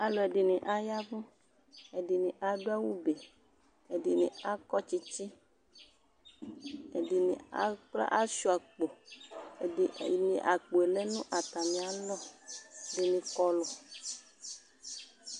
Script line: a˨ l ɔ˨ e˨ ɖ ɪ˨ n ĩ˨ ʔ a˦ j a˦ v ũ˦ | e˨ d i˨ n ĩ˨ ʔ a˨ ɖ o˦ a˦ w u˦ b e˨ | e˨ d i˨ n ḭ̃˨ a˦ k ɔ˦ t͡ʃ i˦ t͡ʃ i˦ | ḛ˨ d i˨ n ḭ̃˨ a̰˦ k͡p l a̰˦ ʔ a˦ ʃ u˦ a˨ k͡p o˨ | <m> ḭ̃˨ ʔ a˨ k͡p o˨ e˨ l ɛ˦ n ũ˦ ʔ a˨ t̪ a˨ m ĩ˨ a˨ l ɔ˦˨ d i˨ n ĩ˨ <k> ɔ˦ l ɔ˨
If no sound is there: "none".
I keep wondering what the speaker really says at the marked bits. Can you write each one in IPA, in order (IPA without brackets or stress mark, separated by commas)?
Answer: n, k